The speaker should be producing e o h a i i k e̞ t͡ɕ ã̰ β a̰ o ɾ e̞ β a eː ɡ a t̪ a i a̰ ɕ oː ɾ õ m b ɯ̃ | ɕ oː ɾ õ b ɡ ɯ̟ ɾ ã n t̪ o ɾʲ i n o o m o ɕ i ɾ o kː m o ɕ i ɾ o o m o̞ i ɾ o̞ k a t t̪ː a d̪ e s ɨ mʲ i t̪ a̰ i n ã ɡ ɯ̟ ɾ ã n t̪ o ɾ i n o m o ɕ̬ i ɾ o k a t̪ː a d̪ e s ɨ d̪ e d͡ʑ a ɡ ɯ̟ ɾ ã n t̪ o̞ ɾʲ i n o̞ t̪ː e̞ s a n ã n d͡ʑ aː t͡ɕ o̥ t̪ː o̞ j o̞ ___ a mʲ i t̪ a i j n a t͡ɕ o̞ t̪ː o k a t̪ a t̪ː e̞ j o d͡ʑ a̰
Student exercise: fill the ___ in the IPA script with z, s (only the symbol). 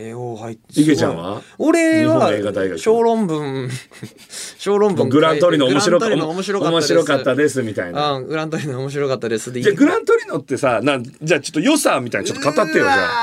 s